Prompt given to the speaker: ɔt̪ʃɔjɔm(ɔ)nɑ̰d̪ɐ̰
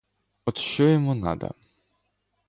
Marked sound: incorrect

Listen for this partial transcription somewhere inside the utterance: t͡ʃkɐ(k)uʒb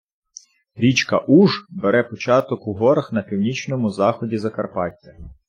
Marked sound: incorrect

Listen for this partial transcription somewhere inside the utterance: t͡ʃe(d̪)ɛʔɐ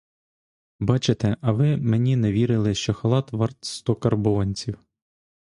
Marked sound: incorrect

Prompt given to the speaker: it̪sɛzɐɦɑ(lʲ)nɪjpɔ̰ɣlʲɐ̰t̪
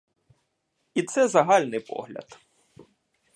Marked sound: correct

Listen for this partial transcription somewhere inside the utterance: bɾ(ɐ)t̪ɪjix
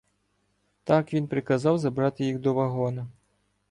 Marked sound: incorrect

